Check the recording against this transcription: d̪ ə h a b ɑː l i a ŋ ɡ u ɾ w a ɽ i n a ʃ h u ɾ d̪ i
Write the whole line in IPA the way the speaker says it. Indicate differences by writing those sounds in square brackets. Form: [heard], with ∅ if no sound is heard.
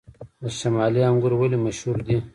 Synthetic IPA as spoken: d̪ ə [ʃ] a [m] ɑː l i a ŋ ɡ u ɾ w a [l] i [m] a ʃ h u ɾ d̪ i